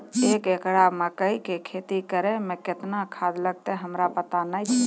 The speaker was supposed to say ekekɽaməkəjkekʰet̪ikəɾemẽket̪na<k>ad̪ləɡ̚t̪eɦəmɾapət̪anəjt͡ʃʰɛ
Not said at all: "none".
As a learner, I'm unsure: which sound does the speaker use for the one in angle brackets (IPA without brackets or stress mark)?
kʰ